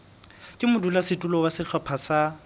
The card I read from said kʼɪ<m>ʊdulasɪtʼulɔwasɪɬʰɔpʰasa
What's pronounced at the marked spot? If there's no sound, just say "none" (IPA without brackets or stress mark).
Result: m